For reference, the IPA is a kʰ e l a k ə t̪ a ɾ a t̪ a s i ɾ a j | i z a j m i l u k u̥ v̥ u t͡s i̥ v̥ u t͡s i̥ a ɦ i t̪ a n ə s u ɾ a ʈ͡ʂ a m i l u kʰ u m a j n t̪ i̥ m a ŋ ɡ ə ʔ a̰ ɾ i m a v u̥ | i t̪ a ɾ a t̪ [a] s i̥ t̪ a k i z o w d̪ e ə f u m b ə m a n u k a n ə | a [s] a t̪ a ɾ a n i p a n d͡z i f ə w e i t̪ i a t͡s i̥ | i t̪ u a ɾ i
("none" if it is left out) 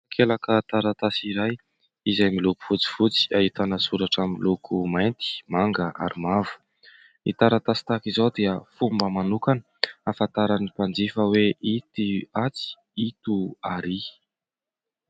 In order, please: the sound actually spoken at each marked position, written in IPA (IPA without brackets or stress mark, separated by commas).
a, f